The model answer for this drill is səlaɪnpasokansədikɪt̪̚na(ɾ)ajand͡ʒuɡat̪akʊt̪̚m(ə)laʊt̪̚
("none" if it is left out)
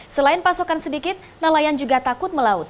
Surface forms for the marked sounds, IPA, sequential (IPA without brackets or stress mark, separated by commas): l, ə